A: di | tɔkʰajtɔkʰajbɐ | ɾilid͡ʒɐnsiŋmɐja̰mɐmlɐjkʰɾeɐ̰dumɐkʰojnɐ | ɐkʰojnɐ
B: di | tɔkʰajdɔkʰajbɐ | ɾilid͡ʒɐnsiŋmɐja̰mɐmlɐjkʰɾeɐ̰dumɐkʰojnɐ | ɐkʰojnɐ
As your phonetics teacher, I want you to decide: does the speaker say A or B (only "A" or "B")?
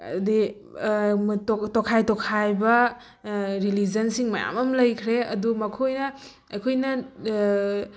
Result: A